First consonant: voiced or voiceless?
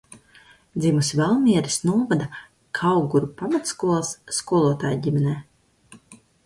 voiced